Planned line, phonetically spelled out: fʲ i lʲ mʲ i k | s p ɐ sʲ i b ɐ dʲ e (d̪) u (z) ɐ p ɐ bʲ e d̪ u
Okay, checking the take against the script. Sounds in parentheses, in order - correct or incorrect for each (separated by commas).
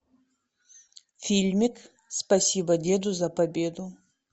correct, correct